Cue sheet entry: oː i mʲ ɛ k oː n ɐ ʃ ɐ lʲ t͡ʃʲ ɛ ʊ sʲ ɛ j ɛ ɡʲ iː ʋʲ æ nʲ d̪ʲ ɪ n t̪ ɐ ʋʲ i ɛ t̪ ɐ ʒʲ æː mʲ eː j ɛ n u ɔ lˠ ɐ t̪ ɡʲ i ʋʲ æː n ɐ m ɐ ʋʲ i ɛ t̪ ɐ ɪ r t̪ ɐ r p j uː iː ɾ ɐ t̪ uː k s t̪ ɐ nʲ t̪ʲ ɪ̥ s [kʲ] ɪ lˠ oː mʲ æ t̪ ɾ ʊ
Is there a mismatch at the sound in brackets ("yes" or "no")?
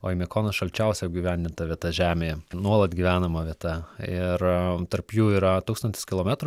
no